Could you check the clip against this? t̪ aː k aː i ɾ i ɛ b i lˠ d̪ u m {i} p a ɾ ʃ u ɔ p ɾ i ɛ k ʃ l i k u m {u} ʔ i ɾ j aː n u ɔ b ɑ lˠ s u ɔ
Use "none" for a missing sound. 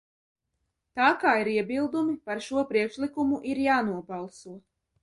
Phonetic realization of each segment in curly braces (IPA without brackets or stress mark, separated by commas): i, u